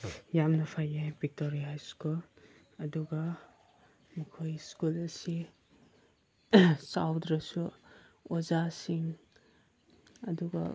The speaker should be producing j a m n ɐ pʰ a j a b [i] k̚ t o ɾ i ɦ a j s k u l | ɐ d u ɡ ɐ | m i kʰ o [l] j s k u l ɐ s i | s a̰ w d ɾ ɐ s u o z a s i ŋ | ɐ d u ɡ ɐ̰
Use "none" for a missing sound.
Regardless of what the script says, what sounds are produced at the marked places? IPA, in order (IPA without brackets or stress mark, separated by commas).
i, none